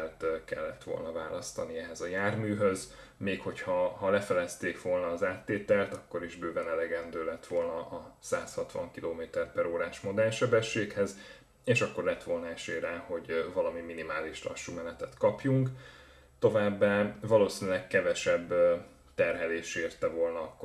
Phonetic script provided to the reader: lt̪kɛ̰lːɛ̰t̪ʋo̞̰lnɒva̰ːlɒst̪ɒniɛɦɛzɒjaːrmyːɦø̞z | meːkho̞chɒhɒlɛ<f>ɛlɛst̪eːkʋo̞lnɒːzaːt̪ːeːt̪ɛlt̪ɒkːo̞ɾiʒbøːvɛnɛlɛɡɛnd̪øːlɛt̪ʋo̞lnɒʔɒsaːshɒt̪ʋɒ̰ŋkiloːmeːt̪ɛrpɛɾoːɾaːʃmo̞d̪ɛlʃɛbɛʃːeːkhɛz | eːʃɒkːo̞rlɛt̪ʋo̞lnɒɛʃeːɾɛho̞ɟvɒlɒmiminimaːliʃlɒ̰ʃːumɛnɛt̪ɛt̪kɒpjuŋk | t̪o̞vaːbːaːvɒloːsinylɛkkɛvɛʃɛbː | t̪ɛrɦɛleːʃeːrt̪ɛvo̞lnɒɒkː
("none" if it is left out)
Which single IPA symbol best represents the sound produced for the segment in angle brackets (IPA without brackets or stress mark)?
f